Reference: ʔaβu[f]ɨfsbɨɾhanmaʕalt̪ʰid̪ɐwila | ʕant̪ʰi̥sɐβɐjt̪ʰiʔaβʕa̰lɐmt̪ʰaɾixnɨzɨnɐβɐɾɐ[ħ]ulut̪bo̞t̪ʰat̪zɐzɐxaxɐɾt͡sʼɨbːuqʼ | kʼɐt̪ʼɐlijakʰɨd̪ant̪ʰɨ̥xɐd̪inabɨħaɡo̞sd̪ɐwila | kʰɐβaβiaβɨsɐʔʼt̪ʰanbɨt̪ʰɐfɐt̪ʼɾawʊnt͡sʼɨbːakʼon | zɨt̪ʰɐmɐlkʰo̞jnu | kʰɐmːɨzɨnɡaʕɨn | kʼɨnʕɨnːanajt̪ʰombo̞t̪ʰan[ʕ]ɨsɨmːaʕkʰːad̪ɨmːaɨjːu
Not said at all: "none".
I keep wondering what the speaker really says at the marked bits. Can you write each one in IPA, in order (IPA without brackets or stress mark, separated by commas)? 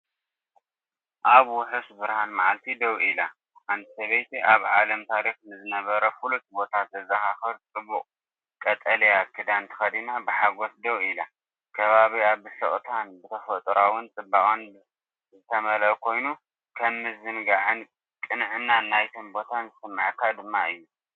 ħ, f, z